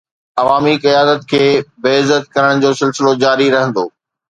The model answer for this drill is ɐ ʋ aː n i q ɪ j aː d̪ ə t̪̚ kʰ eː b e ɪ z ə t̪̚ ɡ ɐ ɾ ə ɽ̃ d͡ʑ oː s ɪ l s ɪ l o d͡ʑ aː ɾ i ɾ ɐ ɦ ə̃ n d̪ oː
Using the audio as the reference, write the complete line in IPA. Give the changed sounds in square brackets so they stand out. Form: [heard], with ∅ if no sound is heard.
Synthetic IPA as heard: ɐ ʋ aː [m] i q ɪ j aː d̪ ə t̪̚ kʰ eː b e ɪ z ə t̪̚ [k] ɐ ɾ ə ɽ̃ d͡ʑ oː s ɪ l s ɪ l o d͡ʑ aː ɾ i ɾ ɐ ɦ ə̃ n d̪ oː